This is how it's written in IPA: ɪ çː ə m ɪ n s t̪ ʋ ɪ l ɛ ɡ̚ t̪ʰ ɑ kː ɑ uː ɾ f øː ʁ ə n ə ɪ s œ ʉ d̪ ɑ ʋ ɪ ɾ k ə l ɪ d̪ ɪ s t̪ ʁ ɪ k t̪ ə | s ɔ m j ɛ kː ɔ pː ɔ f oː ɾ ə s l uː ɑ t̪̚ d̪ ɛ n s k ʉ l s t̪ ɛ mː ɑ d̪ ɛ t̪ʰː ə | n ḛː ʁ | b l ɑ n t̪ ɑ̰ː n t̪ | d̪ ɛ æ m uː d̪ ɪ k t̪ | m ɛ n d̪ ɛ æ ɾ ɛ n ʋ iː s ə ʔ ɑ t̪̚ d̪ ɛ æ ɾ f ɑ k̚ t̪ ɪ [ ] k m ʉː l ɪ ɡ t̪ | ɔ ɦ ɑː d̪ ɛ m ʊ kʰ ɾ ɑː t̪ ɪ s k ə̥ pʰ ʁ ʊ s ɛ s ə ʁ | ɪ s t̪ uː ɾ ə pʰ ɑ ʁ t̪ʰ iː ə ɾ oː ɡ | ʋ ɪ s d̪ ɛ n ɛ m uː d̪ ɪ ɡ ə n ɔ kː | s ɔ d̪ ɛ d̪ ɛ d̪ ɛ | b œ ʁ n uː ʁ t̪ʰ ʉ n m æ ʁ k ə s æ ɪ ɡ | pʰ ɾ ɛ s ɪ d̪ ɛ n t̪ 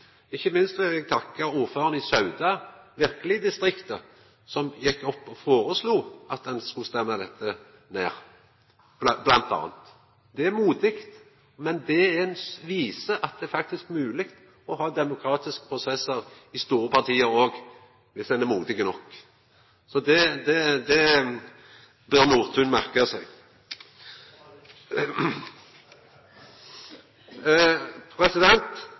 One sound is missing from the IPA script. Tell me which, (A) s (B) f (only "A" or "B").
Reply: A